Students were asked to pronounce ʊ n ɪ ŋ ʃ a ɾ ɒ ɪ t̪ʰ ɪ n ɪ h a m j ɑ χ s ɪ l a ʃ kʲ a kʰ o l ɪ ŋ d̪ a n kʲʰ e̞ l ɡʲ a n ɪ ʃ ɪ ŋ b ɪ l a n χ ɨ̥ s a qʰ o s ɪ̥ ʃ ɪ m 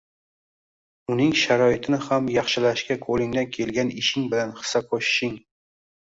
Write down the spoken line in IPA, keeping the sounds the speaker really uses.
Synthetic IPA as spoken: ʊ n ɪ ŋ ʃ a ɾ ɒ ɪ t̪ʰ ɪ n ɪ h a m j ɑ χ ʃ ɪ l a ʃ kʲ a kʰ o l ɪ ŋ d̪ a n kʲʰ e̞ l ɡʲ a n ɪ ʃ ɪ ŋ b ɪ l a n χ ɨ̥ s a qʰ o ʃ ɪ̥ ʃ ɪ ŋ